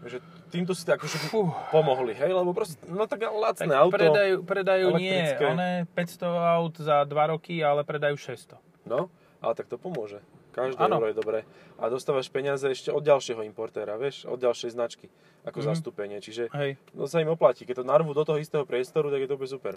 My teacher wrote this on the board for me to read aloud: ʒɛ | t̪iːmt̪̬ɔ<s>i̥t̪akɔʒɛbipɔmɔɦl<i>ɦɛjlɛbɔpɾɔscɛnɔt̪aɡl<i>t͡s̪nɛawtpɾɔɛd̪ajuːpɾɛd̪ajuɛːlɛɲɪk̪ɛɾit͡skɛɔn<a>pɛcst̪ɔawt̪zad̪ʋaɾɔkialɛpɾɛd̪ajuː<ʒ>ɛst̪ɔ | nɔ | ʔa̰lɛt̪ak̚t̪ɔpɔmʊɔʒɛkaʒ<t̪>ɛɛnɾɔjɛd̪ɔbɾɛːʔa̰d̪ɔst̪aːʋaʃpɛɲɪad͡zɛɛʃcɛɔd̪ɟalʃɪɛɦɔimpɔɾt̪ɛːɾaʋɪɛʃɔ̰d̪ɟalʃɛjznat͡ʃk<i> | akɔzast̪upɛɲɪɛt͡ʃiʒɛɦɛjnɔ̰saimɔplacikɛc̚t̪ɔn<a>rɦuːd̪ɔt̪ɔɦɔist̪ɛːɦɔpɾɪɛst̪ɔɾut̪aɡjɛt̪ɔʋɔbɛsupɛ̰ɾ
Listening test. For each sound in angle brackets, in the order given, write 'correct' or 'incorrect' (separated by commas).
correct, correct, incorrect, incorrect, incorrect, incorrect, correct, correct